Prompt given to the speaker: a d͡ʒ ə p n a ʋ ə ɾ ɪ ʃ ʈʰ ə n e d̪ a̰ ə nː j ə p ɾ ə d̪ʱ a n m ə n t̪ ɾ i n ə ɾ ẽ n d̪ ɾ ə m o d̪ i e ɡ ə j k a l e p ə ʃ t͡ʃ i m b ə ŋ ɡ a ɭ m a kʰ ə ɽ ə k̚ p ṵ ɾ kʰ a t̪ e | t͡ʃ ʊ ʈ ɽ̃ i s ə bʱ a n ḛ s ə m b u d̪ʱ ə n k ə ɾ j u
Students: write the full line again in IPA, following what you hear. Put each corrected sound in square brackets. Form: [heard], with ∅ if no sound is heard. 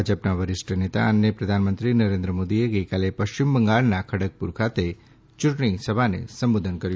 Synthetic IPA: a d͡ʒ ə p n a ʋ ə ɾ ɪ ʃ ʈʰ ə n e [t̪] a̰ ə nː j ə p ɾ ə d̪ʱ a n m ə n t̪ ɾ i n ə ɾ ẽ n d̪ ɾ ə m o d̪ i e ɡ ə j k a l e p ə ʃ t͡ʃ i m b ə ŋ ɡ a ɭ [n] a kʰ ə ɽ ə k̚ p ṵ ɾ kʰ a t̪ e | t͡ʃ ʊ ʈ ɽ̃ i s ə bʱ a n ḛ s ə m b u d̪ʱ ə n k ə ɾ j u